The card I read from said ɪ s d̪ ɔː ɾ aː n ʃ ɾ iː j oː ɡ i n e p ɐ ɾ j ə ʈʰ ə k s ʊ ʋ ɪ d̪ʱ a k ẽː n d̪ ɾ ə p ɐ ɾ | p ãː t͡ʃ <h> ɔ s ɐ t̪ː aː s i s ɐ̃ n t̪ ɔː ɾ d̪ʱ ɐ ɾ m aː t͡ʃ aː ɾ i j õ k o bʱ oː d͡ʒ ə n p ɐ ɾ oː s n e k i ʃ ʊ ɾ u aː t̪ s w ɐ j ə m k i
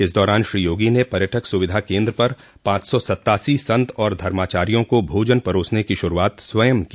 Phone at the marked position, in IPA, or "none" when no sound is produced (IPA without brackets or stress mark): s